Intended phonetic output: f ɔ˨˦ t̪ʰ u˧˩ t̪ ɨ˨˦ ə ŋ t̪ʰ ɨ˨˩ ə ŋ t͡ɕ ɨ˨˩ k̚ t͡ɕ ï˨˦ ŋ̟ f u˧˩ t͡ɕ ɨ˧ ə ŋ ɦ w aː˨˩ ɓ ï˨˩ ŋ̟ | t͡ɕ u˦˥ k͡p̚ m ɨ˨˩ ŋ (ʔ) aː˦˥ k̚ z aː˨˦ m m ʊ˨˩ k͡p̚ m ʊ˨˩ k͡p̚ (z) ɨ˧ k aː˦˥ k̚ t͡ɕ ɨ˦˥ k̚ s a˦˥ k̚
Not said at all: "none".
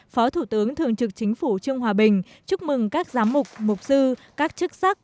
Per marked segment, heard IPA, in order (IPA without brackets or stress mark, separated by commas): k, s